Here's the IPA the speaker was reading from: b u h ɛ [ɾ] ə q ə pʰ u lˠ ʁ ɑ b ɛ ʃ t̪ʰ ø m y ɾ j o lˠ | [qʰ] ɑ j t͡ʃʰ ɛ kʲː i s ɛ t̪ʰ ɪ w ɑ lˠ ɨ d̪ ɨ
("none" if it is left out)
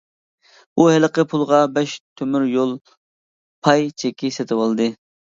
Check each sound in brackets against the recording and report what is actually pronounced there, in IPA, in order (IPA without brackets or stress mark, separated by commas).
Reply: l, pʰ